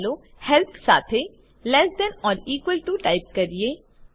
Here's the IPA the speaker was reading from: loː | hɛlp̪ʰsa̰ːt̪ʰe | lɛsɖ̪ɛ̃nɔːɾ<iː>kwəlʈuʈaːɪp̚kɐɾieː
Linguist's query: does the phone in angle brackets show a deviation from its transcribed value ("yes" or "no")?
no